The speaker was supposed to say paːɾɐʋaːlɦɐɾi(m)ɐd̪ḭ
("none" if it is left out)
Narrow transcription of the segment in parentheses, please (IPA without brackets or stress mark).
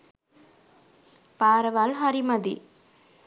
m